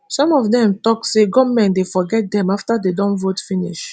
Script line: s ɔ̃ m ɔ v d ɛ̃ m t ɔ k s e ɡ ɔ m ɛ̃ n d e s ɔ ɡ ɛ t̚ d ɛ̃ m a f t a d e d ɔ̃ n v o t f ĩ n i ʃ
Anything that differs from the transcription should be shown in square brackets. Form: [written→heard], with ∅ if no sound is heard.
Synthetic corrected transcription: s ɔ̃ m ɔ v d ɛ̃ m t ɔ k s e ɡ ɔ m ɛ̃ n d e [s→f] ɔ ɡ ɛ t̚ d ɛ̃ m a f t a d e d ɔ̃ n v o t f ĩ n i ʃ